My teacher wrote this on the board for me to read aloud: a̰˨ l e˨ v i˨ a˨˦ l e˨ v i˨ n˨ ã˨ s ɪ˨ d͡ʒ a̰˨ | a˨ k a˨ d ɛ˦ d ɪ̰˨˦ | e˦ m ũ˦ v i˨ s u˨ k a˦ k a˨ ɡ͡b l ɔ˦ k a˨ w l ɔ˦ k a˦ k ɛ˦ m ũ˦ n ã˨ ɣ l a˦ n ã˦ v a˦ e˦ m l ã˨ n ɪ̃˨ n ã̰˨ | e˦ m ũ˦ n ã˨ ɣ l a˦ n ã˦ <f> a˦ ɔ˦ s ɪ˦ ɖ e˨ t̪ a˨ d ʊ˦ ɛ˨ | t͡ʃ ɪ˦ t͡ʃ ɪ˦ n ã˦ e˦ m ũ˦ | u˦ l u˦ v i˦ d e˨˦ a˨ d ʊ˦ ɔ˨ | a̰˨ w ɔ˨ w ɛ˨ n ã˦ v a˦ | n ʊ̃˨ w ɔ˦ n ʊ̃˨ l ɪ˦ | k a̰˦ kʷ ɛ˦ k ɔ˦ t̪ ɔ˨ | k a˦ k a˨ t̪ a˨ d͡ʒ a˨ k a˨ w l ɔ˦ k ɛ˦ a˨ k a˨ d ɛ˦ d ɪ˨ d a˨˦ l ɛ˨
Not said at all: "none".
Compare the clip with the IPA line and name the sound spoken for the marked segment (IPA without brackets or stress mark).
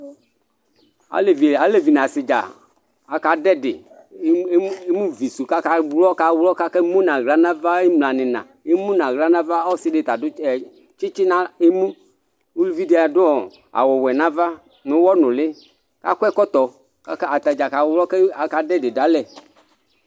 v